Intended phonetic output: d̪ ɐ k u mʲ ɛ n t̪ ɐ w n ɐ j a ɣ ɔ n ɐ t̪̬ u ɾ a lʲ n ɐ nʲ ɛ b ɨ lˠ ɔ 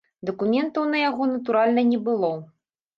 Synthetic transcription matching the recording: d̪ ɐ k u mʲ ɛ n t̪ ɐ w n ɐ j a ɣ ɔ n ɐ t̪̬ u ɾ a lʲ n ɐ nʲ ɛ b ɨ lˠ ɔ